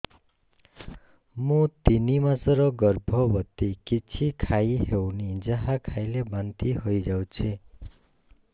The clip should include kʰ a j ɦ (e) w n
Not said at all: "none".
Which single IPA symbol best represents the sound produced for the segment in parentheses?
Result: e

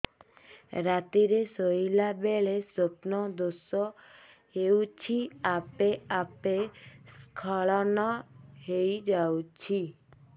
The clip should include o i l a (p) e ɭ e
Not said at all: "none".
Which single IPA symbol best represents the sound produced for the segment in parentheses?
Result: b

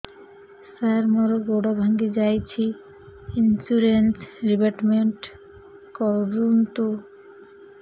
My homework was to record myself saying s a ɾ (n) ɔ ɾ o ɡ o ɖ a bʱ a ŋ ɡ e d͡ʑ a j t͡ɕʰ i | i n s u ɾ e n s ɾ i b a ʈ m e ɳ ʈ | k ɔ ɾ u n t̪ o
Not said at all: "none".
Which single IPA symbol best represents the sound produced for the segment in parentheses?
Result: m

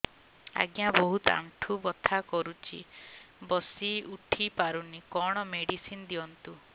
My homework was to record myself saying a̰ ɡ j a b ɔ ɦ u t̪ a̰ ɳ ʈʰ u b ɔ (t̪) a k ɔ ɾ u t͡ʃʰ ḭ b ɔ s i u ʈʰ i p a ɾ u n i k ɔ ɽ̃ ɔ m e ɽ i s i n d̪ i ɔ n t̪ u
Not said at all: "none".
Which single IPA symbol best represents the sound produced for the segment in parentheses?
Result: t̪ʰ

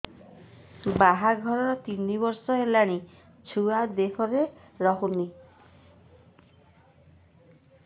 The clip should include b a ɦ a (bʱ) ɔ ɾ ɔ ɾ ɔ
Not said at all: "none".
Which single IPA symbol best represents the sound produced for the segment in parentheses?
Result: ɡʱ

